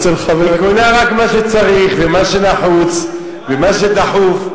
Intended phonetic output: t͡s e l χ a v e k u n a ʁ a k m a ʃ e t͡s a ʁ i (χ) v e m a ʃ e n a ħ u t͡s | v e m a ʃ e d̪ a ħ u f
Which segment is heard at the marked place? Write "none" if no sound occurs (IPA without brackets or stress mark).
χ